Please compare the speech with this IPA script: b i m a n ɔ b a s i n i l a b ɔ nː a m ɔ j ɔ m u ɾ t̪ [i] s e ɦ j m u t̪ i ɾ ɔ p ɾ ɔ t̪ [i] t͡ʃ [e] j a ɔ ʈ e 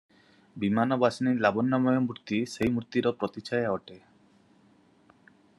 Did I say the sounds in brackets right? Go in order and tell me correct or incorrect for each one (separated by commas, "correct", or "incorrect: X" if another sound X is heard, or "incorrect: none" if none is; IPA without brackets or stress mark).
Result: correct, correct, incorrect: a